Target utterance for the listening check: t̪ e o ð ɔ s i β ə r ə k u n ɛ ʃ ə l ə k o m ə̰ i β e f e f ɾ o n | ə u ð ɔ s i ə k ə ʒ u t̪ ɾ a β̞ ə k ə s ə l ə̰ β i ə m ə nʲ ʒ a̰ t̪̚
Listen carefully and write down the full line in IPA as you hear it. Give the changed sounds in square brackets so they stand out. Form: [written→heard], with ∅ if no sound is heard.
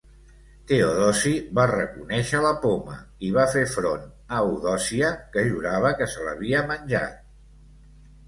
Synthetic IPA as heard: t̪ e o ð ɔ s i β [ə→a] r ə k u n ɛ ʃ ə l ə [k→p] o m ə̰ i β [e→a] f e f ɾ o n | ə u ð ɔ s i ə k ə ʒ u [t̪→∅] ɾ a β̞ ə k ə s ə l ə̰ β i ə m ə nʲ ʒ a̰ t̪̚